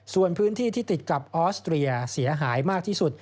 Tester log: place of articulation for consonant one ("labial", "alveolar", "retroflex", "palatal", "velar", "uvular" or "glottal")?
alveolar